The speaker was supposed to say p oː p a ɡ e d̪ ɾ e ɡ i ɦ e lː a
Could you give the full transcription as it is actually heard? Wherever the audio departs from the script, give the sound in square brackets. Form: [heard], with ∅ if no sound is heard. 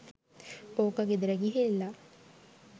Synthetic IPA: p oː [k] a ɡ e d̪ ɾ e ɡ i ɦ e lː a